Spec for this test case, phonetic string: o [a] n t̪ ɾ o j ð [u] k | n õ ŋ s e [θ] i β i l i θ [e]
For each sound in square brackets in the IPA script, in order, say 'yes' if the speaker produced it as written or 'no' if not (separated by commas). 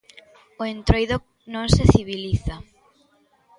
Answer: no, no, yes, no